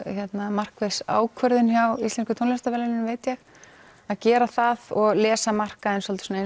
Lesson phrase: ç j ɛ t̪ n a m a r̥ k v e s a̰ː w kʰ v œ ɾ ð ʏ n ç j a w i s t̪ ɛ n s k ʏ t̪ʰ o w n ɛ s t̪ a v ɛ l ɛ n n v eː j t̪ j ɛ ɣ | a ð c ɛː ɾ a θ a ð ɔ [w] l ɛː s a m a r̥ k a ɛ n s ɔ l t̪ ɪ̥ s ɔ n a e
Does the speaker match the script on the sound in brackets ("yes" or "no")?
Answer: no